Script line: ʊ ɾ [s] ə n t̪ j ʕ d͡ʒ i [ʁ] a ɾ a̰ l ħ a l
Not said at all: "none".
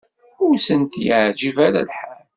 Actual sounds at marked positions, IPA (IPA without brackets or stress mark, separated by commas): s, v